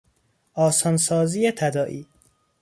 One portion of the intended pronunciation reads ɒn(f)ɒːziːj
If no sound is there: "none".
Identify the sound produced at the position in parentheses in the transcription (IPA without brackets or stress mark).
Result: s